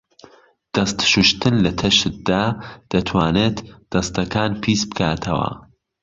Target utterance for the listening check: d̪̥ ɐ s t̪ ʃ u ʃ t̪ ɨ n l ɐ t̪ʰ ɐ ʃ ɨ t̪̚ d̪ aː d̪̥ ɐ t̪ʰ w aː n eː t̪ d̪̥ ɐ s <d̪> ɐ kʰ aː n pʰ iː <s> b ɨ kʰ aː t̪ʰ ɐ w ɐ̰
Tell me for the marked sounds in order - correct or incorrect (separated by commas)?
incorrect, correct